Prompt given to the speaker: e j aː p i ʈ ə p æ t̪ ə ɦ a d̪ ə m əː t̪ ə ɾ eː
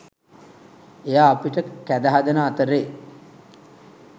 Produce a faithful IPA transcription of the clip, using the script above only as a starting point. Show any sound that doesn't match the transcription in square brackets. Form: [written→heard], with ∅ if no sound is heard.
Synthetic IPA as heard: e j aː p i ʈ ə [p→k] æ [t̪→d̪] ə ɦ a d̪ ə [m→n] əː t̪ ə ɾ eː